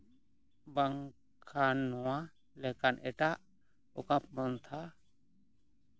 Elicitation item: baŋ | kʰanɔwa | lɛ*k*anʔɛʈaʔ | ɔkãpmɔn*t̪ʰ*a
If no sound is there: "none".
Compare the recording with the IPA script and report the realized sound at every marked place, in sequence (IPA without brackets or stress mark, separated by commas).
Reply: k, t̪ʰ